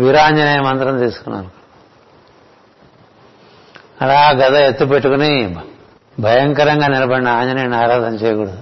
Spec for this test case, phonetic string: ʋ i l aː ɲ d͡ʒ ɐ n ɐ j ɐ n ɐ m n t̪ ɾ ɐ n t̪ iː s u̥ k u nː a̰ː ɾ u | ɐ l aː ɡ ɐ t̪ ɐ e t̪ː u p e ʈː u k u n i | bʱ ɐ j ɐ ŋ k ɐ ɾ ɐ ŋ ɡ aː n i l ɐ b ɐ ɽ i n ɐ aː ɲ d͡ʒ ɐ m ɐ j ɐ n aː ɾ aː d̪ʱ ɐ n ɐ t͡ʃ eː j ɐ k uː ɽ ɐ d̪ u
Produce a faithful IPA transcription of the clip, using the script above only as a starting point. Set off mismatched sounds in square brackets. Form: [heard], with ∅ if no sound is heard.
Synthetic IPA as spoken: ʋ i [ɾ] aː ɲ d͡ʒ ɐ n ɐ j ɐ [m] ɐ [∅] n t̪ ɾ ɐ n t̪ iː s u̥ k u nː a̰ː ɾ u | ɐ l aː ɡ ɐ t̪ ɐ e t̪ː u p e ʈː u k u n i | bʱ ɐ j ɐ ŋ k ɐ ɾ ɐ ŋ ɡ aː n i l ɐ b ɐ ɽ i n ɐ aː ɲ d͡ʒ ɐ [n] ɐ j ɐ n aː ɾ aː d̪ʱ ɐ n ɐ t͡ʃ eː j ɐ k uː ɽ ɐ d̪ u